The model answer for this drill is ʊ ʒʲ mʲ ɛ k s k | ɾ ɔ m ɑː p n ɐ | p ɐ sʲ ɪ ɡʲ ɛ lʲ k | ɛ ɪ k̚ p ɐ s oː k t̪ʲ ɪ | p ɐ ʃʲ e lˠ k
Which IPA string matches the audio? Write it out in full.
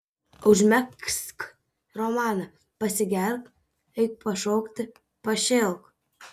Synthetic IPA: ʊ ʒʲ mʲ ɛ k s k | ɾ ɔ m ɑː n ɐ | p ɐ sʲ ɪ ɡʲ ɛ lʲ k | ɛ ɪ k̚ p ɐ ʃ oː k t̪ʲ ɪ | p ɐ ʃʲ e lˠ k